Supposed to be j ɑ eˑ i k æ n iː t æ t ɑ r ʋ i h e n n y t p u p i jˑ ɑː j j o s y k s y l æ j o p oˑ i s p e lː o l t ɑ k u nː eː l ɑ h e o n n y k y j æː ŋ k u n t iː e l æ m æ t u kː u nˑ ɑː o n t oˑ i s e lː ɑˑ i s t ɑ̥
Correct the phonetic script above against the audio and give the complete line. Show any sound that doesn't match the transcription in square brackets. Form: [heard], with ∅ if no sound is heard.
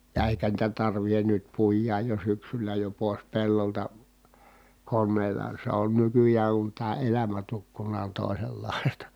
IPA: j ɑ eˑ i k æ n iː t æ t ɑ r ʋ i h e n n y t p u [∅] i jˑ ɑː j j o s y k s y l æ j o p oˑ [e] s p e lː o l t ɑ k [o] nː eː l ɑ [s] e o n n y k y j æː ŋ k u n t [æː] e l æ m æ t u kː u nˑ ɑː o n t oˑ i s e lː ɑˑ i s t ɑ̥

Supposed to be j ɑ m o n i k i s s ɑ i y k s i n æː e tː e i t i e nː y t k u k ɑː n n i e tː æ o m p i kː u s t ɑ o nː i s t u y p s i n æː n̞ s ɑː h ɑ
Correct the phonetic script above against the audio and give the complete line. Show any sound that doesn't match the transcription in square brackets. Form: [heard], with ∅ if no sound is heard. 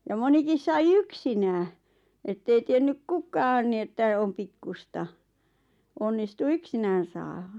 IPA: j ɑ m o n i k i s s ɑ i y k s i n æː e tː e i t i e nː y [k] k u k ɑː n n i e tː æ o m p i kː u s t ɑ o nː i s t u y [k] s i n æː n̞ s ɑː h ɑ

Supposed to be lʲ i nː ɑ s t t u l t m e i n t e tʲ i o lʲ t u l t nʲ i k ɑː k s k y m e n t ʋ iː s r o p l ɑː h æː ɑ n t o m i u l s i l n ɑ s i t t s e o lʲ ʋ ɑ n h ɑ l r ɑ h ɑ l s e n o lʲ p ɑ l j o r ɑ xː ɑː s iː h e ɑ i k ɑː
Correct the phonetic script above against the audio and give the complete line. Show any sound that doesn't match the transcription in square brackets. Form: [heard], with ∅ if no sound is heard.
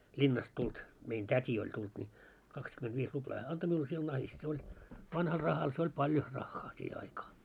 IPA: lʲ i nː ɑ s t t u l t m e i n t [æ] tʲ i o lʲ t u l t nʲ i k [ɑ] k s k y m e n t ʋ iː s r [u] p l ɑː h æː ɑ n t o m i u l s i l n ɑ [h] i [s] t s e o lʲ ʋ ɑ n h ɑ l r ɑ h ɑ l s e [∅] o lʲ p ɑ l j o r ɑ xː ɑː s iː h e ɑ i k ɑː

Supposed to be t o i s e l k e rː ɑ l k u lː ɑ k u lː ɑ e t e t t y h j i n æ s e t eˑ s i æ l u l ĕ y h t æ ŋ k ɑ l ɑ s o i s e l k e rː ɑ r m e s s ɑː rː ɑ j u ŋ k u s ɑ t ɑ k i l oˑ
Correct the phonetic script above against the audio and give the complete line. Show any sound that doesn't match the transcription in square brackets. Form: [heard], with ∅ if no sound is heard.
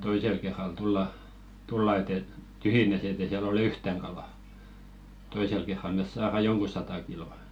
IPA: t o i s e l k e rː ɑ l [t] u lː ɑ [t] u lː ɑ e t e t t y h j i n æ s e t eˑ s i æ l [o] l ĕ y h t æ ŋ k ɑ l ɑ [t] o i s e l k e rː ɑ [l] m e s s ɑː [r] ɑ j [o] ŋ k u s ɑ t ɑ k i l oˑ

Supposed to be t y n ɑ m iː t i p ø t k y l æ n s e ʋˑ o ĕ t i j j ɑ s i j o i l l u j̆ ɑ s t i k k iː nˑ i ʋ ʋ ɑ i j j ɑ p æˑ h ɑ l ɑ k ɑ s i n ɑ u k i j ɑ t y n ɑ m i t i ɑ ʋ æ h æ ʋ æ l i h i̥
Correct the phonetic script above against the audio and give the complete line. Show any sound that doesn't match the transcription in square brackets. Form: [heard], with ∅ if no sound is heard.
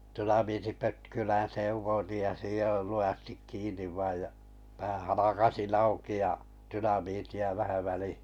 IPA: t y n ɑ m iː t i p ø t k y l æ n s e ʋˑ o [ĭ] t i j j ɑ s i j o i l l u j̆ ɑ s t i k k iː nˑ i ʋ ʋ ɑ i j j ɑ p æˑ h ɑ l ɑ k ɑ s i n ɑ u k i j ɑ t y n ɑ m i t i ɑ ʋ æ h æ ʋ æ l i h i̥

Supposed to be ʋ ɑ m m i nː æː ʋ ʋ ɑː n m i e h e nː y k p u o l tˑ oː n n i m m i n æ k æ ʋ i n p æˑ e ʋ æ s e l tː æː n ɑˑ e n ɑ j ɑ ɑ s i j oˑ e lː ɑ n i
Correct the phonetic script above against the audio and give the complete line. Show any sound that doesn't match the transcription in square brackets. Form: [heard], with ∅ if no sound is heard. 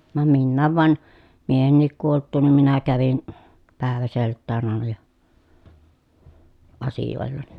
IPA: ʋ ɑ m m i nː æː ʋ ʋ [ɑ] n m i e h e nː [i] k [k] u o l tˑ [uː] n n i m m i n æ k æ ʋ i n p æˑ e ʋ æ s e l tː æː n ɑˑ e n ɑ j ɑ ɑ s i j oˑ e lː ɑ n i

